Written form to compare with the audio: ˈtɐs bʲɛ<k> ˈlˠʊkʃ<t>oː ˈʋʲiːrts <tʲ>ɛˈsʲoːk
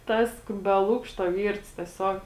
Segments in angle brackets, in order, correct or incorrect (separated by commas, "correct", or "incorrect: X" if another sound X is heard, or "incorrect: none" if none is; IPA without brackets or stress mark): incorrect: none, correct, correct